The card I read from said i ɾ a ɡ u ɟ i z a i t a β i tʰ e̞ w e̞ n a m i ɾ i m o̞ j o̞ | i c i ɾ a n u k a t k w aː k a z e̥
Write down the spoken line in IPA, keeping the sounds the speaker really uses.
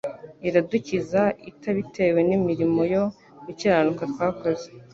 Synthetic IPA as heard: i ɾ a d u c i z a i t a β i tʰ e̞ w e̞ n i m i ɾ i m o̞ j o̞ | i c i ɾ a n u k a t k w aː k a z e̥